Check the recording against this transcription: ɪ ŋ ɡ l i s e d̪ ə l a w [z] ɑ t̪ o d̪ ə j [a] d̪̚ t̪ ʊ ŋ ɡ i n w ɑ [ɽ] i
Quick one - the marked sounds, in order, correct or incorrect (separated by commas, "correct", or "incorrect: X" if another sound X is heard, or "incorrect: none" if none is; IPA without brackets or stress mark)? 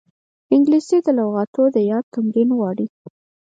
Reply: incorrect: ɣ, incorrect: ɑ, correct